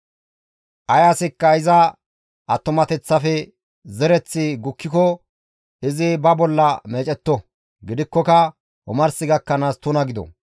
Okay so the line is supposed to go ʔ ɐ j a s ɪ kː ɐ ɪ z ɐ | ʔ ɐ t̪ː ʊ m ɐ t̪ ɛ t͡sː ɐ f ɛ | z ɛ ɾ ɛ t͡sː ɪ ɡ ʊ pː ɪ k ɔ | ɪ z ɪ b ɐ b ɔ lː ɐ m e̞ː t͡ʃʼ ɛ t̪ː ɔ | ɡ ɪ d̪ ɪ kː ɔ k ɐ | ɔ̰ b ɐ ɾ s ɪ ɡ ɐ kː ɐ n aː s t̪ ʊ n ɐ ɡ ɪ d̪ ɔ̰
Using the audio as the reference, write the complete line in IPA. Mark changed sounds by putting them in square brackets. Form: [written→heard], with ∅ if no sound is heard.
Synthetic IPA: ʔ ɐ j a s ɪ kː ɐ ɪ z ɐ | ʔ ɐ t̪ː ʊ m ɐ t̪ ɛ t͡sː ɐ f ɛ | z ɛ ɾ ɛ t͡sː ɪ ɡ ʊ [pː→kː] ɪ k ɔ | ɪ z ɪ b ɐ b ɔ lː ɐ m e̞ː t͡ʃʼ ɛ t̪ː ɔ | ɡ ɪ d̪ ɪ kː ɔ k ɐ | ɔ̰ [b→m] ɐ ɾ s ɪ ɡ ɐ kː ɐ n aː s t̪ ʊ n ɐ ɡ ɪ d̪ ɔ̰